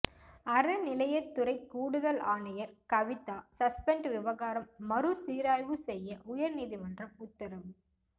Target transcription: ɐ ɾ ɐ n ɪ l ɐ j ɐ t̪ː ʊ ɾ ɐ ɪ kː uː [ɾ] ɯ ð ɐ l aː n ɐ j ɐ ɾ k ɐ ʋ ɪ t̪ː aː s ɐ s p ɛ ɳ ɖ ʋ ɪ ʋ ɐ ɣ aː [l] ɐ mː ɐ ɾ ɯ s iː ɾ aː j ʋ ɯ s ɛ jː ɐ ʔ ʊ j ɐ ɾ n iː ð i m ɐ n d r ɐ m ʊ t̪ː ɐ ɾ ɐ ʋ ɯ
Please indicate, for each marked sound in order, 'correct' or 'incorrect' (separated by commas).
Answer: incorrect, incorrect